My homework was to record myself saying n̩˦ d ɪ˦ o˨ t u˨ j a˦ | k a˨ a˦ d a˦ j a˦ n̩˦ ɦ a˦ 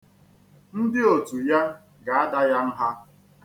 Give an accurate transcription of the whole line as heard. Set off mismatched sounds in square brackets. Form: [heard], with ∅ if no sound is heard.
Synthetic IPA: n̩˦ d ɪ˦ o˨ t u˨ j a˦ | [ɡ] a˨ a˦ d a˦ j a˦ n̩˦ ɦ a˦

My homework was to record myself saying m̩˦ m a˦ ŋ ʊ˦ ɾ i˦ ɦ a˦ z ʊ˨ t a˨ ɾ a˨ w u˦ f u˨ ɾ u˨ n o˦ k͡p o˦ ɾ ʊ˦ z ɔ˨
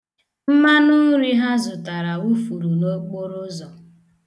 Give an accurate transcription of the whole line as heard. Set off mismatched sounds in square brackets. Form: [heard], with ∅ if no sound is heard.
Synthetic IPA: m̩˦ m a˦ [n] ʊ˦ ɾ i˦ ɦ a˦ z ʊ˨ t a˨ ɾ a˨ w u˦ f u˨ ɾ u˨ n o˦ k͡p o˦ ɾ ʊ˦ z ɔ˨

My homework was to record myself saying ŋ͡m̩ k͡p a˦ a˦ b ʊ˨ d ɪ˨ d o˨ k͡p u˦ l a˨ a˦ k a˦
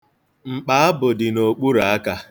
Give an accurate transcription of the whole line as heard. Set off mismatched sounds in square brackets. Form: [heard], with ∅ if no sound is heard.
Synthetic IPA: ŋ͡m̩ k͡p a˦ a˦ b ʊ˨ d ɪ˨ [n] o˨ k͡p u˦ [ɾ] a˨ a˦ k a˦

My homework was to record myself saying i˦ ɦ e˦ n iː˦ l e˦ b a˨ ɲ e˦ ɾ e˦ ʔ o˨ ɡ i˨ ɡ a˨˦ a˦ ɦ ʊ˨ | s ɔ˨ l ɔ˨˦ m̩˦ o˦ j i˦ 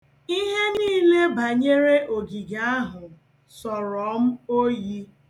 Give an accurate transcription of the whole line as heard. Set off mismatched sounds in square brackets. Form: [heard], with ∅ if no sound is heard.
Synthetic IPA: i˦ ɦ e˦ n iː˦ l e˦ b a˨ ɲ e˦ ɾ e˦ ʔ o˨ ɡ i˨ ɡ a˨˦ a˦ ɦ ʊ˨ | s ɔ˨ [ɾ] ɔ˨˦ m̩˦ o˦ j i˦

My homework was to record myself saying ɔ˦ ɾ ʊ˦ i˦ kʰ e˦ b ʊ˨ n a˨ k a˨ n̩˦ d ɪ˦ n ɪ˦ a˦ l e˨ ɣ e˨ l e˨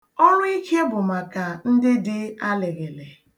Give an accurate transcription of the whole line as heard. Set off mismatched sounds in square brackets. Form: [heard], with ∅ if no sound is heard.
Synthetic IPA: ɔ˦ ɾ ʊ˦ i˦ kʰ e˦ b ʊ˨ [m] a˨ k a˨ n̩˦ d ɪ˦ [d] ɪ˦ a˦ l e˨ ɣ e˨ l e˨

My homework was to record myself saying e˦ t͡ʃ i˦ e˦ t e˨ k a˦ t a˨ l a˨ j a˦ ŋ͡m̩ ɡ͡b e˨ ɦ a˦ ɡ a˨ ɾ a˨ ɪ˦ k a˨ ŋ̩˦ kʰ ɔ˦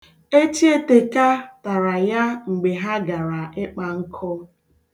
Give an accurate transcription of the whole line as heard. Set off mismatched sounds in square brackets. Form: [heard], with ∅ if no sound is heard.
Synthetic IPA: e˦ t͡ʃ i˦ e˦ t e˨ k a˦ t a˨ [ɾ] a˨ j a˦ ŋ͡m̩ ɡ͡b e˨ ɦ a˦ ɡ a˨ ɾ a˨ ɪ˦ [k͡p] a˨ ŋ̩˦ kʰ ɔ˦

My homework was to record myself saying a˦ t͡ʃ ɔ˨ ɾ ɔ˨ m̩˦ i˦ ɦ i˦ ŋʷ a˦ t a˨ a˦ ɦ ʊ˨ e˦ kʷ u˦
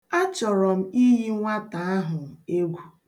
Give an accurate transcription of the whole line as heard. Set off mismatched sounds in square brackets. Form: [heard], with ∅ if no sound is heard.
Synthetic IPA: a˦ t͡ʃ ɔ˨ ɾ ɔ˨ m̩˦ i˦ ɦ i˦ ŋʷ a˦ t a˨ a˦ ɦ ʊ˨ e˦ [ɡʷ] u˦

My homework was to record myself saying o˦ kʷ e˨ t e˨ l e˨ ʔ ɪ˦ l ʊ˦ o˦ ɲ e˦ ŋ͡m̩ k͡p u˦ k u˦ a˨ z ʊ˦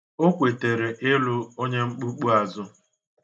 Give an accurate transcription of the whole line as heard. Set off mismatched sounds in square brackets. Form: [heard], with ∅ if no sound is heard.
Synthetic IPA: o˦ kʷ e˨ t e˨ [ɾ] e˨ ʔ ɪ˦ l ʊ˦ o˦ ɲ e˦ ŋ͡m̩ k͡p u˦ [k͡p] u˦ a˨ z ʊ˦

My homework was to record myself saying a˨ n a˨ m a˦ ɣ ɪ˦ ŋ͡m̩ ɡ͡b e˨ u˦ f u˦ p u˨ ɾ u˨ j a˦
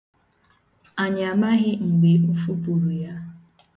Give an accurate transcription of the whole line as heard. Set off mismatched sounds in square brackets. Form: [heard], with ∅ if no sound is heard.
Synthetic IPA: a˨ [ɲ] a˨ m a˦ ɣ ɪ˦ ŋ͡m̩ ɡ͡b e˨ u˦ f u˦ p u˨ ɾ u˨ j a˦

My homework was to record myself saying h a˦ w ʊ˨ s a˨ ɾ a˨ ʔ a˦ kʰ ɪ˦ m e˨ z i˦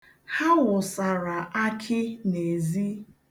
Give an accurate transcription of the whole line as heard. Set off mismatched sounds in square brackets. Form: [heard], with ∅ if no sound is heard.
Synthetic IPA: h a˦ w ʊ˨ s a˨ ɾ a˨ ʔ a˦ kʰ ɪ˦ [n] e˨ z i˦

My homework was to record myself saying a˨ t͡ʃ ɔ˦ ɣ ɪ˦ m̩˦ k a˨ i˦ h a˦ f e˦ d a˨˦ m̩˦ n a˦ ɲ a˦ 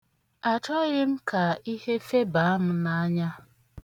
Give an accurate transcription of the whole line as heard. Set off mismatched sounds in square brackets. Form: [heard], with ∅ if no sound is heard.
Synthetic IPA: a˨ t͡ʃ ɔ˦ ɣ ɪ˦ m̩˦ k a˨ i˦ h [e˦] f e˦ [b] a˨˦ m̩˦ n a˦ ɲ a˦

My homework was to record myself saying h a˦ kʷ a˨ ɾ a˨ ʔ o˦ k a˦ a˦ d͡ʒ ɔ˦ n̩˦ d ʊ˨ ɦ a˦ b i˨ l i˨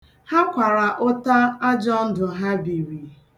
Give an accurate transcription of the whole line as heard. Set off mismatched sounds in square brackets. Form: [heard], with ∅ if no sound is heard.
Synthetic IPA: h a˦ kʷ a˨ ɾ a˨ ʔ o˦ [t] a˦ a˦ d͡ʒ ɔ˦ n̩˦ d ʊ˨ ɦ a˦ b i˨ [ɾ] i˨

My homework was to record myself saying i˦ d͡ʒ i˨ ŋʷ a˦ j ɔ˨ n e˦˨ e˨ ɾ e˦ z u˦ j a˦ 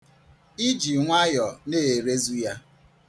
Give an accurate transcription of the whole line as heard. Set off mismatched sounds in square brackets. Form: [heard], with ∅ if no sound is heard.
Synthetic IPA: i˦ d͡ʒ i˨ ŋʷ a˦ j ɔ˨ n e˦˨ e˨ ɾ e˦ z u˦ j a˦

